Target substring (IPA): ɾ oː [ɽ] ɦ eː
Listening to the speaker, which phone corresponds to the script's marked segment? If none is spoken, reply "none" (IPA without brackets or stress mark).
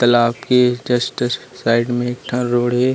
ɽ